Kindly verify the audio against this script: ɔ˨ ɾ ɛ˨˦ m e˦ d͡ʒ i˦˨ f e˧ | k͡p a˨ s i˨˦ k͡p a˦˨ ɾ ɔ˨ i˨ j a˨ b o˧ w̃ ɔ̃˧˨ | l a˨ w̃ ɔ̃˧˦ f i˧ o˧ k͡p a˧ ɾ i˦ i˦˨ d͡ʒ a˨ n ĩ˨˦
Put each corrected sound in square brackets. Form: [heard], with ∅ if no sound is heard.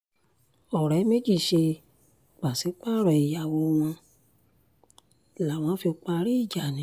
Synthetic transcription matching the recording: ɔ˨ ɾ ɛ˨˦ m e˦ d͡ʒ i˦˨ [ʃ] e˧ | k͡p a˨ s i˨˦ k͡p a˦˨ ɾ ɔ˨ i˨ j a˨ [w] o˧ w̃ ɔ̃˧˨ | l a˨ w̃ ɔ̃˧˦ f i˧ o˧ k͡p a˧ ɾ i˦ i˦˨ d͡ʒ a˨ n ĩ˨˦